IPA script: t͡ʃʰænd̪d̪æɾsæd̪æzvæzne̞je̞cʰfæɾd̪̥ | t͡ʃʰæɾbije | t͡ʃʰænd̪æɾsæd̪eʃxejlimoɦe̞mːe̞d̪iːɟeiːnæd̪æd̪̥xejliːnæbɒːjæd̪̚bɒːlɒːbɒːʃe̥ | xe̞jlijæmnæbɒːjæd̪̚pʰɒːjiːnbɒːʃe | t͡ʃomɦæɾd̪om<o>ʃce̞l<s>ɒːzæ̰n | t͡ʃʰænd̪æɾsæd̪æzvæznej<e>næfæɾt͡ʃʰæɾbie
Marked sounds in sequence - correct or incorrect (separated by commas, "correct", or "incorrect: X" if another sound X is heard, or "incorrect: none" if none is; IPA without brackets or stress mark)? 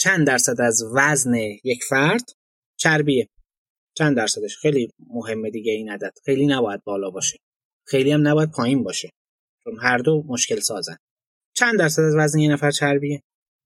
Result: correct, correct, correct